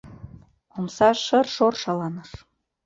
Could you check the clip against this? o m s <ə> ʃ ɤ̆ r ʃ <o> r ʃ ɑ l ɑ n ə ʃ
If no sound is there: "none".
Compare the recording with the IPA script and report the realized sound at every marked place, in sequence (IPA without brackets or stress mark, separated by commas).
ɑ, o